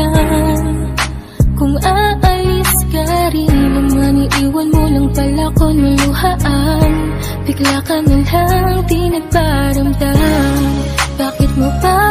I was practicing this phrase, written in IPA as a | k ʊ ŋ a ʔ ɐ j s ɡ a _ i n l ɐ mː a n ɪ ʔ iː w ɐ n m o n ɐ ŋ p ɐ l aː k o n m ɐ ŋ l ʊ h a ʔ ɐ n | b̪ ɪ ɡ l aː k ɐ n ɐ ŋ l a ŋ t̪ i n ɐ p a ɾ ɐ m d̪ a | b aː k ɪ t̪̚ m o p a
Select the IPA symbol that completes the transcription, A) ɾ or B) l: A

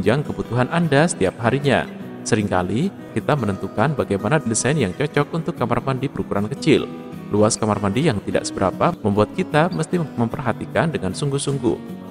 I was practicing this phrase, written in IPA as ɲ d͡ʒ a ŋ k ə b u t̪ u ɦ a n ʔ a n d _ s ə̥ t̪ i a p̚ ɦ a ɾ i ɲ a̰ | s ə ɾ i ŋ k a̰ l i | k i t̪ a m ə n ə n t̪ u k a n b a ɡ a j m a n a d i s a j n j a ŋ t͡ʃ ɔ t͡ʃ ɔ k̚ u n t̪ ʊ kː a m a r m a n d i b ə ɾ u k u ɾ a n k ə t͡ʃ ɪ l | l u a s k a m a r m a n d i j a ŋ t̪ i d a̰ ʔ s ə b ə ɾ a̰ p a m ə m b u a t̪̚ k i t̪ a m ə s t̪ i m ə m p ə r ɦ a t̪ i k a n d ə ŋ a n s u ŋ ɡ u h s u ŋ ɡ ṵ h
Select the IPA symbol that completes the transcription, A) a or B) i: A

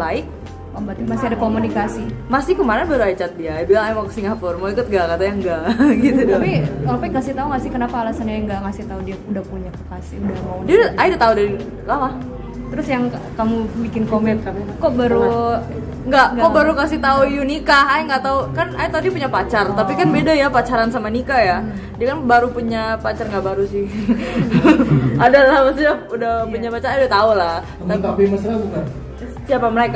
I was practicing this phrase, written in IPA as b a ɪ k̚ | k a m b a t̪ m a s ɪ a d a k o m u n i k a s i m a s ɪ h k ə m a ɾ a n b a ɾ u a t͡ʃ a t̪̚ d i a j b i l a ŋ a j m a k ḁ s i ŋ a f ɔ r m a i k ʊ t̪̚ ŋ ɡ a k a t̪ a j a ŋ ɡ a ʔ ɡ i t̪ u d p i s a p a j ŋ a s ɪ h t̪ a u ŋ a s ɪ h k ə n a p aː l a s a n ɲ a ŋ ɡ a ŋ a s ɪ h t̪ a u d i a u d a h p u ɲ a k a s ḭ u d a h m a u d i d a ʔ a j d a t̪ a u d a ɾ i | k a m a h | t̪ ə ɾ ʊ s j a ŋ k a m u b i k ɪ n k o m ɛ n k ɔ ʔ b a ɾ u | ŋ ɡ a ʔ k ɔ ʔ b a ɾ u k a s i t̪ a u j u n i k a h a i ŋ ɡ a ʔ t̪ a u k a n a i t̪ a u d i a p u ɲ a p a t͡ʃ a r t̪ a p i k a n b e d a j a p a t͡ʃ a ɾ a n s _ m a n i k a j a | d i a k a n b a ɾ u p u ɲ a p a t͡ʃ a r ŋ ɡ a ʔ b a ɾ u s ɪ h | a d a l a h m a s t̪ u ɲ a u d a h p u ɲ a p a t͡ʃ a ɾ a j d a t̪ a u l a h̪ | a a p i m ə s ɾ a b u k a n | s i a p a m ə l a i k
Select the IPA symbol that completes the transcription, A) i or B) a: B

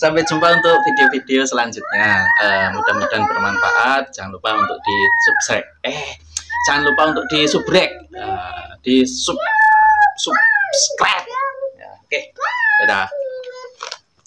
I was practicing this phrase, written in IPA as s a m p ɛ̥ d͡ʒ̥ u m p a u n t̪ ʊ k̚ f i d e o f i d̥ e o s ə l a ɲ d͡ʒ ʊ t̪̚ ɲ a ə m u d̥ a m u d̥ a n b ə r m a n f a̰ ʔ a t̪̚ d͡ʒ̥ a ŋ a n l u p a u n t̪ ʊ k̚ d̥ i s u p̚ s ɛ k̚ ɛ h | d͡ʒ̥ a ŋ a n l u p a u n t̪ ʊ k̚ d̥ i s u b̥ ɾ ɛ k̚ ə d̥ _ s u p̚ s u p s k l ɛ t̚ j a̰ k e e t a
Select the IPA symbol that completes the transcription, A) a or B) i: B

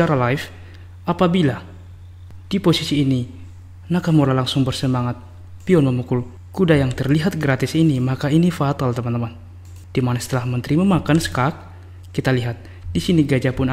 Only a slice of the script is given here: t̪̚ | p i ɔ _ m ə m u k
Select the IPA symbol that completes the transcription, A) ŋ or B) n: B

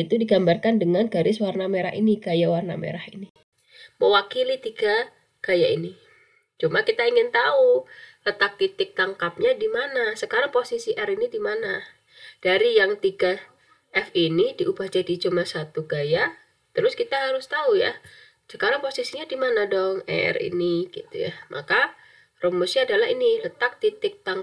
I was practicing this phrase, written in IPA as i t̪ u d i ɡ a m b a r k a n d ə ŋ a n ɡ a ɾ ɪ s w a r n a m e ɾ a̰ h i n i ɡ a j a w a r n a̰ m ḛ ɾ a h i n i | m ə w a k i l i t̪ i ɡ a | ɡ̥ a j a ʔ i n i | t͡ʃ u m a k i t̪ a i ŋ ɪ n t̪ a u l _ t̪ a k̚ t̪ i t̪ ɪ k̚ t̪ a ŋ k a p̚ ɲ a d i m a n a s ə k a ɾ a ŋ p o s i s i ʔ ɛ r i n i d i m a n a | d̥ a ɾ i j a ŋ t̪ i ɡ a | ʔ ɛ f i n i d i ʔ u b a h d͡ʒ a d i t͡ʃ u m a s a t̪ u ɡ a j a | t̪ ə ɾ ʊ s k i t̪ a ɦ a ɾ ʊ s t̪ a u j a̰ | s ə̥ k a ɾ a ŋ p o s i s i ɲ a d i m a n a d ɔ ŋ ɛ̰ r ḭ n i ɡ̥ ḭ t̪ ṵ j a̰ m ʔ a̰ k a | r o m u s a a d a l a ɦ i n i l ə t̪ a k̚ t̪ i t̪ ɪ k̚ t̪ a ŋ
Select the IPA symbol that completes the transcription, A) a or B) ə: B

